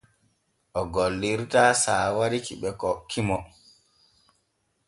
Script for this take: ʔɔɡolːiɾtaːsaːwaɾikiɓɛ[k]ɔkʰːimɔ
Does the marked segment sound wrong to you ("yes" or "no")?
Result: no